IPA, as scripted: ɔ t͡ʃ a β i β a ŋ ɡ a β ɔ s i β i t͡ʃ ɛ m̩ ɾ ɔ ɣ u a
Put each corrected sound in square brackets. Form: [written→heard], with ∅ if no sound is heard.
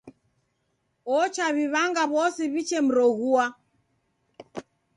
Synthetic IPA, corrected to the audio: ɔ t͡ʃ a β i β a ŋ ɡ a β ɔ s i β i t͡ʃ ɛ m̩ ɾ ɔ ɣ u a